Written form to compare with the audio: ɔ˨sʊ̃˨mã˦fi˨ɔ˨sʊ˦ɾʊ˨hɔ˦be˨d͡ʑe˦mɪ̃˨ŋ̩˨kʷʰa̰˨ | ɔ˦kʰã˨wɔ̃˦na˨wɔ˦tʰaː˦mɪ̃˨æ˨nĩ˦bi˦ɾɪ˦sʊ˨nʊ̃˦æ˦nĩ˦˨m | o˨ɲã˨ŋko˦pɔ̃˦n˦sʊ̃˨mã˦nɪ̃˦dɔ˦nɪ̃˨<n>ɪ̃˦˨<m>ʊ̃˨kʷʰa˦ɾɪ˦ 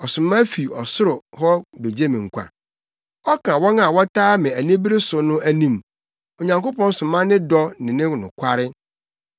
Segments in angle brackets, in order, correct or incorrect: correct, incorrect

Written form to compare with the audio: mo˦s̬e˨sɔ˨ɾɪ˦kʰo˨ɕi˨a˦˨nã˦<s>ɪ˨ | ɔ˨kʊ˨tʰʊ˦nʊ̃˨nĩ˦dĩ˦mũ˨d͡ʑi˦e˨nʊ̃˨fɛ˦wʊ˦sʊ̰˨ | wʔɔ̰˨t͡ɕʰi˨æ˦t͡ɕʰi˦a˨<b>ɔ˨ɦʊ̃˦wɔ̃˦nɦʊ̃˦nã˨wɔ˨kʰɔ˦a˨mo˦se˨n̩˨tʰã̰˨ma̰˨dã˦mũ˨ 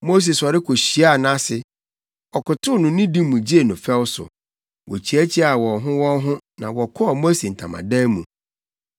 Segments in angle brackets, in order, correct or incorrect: correct, incorrect

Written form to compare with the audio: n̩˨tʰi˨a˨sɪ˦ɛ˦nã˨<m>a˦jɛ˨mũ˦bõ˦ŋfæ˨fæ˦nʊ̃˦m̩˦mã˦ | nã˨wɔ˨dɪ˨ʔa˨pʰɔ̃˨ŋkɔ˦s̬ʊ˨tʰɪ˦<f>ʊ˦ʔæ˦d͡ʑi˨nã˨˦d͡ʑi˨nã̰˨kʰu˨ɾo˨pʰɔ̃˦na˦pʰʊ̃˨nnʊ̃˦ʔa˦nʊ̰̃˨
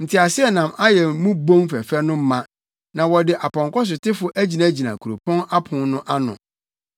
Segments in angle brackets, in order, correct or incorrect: correct, correct

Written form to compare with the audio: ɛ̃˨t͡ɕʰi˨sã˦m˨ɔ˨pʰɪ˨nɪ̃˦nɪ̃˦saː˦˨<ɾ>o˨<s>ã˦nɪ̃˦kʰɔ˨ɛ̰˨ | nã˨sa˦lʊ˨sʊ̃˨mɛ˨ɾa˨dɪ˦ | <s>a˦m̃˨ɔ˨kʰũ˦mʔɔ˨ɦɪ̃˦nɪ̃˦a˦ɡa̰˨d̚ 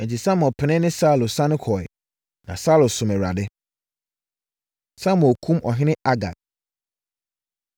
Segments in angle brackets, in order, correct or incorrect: incorrect, correct, correct

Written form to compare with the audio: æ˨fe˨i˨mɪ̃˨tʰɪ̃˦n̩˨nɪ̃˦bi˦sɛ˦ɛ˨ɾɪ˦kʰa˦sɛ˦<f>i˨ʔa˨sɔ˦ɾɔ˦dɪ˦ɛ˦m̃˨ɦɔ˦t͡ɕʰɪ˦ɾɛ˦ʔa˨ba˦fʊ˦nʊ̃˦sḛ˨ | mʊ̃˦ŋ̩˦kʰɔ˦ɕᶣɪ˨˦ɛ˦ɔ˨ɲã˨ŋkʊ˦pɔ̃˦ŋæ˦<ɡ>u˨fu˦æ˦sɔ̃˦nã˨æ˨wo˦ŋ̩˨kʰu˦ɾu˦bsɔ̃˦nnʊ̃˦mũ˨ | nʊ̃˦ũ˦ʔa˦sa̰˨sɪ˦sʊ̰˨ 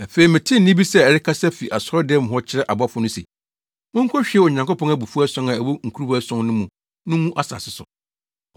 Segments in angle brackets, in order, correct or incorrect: correct, incorrect

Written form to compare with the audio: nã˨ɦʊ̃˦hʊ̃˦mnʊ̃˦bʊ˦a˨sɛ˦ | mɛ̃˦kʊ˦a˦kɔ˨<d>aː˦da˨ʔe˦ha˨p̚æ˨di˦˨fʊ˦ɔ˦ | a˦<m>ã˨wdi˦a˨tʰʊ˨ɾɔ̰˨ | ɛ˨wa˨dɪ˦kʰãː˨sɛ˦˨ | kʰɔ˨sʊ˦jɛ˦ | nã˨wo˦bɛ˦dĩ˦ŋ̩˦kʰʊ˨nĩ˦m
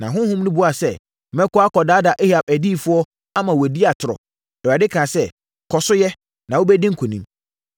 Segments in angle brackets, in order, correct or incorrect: correct, correct

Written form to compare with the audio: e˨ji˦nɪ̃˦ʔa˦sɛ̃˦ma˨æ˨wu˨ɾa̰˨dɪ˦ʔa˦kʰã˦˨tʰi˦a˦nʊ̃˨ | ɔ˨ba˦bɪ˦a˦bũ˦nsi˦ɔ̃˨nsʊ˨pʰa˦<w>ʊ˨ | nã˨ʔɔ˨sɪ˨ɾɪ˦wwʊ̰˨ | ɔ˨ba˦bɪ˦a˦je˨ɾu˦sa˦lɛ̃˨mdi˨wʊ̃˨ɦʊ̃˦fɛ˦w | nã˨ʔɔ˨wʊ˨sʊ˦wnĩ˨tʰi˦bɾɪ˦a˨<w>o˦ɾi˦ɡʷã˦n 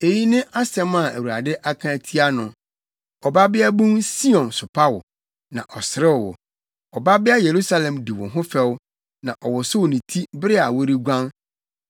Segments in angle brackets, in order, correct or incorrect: correct, correct

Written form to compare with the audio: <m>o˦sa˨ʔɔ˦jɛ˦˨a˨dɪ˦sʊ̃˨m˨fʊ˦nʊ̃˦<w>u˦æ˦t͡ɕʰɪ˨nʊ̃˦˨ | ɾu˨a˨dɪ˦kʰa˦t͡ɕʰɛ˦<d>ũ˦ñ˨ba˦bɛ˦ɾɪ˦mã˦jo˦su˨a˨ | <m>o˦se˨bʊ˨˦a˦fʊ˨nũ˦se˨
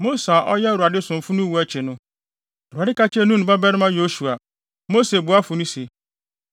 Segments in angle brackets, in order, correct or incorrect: correct, correct, incorrect, correct

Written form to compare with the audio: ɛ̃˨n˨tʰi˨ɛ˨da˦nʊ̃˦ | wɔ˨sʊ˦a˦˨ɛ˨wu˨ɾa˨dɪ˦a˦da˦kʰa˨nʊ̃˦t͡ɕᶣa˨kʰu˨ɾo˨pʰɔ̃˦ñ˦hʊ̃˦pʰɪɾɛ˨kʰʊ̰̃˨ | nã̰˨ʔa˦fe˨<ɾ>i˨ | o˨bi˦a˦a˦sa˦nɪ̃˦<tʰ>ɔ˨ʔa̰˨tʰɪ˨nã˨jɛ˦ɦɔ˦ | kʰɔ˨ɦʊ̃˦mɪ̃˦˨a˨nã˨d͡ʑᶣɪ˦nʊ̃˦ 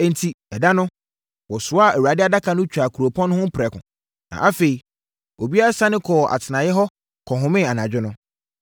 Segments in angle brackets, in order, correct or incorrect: incorrect, incorrect

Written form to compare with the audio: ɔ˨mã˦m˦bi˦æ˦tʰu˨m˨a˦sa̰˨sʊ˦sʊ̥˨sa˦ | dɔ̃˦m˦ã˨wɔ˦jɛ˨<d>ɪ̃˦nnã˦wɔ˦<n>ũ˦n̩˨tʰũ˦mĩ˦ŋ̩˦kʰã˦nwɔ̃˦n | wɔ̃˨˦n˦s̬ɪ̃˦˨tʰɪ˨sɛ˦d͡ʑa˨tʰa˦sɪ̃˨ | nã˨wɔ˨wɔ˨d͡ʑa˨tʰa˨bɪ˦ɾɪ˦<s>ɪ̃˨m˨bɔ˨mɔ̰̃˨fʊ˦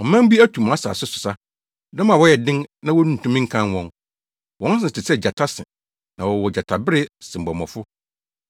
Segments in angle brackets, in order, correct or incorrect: correct, correct, correct

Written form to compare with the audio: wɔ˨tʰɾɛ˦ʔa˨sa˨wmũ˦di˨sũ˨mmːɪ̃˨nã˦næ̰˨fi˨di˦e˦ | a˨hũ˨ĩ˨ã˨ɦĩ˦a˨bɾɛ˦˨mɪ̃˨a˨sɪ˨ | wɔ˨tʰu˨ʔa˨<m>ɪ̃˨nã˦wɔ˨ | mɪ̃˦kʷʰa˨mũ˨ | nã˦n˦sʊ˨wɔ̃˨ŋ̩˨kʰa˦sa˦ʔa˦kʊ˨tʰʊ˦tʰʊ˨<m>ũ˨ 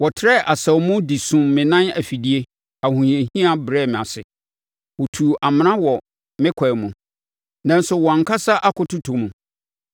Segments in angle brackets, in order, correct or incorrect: correct, correct

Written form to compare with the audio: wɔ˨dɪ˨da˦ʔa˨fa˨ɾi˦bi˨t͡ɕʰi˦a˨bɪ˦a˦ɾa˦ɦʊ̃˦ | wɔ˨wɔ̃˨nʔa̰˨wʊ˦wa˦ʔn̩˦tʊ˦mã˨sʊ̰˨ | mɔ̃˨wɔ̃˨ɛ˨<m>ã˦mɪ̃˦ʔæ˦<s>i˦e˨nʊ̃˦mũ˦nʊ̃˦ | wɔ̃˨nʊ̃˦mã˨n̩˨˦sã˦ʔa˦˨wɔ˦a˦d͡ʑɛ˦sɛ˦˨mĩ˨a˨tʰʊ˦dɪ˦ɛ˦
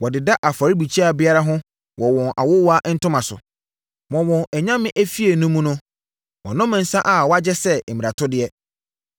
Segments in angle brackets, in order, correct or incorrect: incorrect, incorrect

